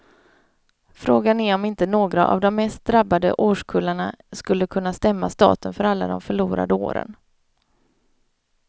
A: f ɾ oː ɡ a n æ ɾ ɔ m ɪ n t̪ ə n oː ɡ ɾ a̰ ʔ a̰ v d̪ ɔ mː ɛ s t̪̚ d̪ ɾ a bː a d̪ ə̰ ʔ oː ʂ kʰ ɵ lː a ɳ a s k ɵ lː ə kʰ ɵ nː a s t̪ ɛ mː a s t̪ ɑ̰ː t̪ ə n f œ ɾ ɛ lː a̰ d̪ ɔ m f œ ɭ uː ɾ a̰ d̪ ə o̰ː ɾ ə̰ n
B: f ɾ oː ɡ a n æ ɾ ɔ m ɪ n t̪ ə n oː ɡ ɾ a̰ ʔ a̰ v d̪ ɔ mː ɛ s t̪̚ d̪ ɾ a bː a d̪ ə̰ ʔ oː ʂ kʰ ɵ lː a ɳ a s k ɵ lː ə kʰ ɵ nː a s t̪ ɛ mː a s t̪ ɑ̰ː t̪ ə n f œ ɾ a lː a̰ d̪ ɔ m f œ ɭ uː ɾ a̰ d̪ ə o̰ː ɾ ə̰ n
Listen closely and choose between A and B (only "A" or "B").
B